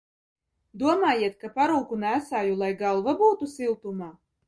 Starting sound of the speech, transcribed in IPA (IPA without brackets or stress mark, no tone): d̪